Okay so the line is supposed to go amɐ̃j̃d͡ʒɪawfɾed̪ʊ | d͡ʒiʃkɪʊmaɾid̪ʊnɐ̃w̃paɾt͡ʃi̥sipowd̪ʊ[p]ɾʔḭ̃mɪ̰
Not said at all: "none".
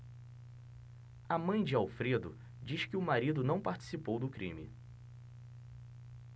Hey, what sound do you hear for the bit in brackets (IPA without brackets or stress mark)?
k